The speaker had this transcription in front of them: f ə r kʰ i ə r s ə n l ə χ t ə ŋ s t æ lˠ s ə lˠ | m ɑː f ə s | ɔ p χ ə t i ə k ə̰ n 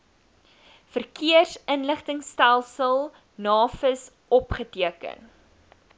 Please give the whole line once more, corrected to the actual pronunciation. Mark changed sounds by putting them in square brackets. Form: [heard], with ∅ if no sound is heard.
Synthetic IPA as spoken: f ə r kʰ i ə r s ə n l ə χ t ə ŋ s t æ lˠ s ə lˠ | [n] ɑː f ə s | ɔ p χ ə t i ə k ə̰ n